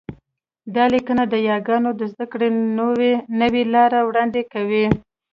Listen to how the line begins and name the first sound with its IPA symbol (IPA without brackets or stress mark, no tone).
d̪